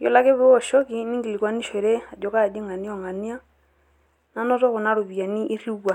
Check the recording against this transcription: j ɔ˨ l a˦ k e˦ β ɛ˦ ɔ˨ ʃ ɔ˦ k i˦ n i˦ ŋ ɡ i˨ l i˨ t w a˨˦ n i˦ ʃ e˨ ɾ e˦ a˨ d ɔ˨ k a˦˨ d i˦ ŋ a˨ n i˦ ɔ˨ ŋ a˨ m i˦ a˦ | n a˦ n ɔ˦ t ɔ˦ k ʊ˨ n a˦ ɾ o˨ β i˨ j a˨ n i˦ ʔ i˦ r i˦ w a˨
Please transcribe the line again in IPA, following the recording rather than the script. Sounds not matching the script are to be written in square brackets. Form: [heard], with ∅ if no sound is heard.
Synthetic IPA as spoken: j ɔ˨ l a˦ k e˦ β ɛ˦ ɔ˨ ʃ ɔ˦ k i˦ n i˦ ŋ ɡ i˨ l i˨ [k] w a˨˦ n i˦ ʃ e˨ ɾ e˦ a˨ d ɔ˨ k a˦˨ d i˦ ŋ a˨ n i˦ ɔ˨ ŋ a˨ [n] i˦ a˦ | n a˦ n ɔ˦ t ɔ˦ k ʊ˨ n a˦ ɾ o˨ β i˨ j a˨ n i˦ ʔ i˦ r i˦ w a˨